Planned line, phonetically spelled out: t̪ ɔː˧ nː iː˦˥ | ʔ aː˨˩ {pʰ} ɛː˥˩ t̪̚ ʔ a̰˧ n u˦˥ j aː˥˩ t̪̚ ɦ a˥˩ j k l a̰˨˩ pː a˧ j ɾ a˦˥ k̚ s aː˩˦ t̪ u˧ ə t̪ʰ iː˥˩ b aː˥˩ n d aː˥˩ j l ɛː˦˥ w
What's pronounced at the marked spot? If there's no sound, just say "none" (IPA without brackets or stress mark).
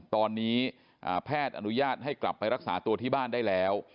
pʰ